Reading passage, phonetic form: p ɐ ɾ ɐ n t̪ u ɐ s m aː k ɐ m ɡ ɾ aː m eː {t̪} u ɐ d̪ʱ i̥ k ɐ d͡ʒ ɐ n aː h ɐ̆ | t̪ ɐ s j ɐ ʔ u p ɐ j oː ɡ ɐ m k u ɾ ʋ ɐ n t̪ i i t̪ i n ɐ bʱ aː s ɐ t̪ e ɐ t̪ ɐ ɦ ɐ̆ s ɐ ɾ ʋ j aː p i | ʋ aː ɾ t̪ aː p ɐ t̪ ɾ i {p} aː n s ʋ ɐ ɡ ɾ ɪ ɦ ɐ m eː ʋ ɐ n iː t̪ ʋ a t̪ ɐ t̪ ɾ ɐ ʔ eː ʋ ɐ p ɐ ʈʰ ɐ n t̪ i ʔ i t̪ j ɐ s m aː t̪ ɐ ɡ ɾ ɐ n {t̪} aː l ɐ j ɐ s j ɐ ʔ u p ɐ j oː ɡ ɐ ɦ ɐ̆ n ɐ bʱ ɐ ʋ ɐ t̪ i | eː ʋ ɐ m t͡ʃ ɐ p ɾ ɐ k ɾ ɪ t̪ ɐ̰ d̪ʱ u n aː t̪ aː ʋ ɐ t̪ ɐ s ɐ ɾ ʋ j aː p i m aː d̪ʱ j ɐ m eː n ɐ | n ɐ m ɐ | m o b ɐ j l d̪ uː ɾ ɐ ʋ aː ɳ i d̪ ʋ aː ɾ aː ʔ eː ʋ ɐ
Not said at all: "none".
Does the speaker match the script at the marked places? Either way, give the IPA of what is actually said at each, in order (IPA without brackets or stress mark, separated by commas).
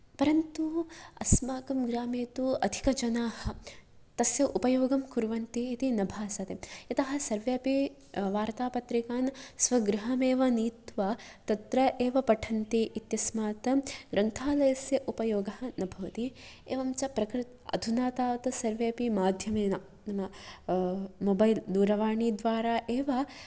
t̪, k, t̪ʰ